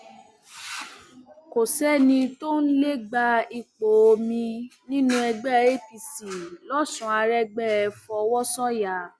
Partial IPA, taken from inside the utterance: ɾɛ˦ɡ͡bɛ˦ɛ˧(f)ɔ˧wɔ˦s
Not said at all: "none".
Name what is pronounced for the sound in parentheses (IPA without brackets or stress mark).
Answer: f